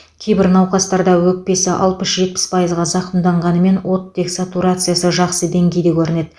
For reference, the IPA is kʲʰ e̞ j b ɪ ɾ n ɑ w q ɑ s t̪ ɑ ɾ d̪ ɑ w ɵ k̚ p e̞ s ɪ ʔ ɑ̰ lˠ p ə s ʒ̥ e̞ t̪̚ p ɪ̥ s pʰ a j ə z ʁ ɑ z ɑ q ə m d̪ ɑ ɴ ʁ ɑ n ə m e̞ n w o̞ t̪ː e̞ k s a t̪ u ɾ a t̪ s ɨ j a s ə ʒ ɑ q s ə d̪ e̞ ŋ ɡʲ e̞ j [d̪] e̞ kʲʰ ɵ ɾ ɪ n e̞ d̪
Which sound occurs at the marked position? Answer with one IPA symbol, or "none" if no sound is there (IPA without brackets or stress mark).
d̪